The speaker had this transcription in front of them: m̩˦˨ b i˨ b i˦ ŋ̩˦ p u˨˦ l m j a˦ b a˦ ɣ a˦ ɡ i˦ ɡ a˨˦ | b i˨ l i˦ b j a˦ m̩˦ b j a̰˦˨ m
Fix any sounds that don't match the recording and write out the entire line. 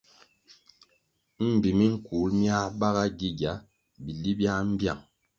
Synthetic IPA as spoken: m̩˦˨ b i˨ m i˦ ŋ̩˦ k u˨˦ l m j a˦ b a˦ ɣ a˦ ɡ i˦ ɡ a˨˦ | b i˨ l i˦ b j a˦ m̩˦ b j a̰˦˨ ŋ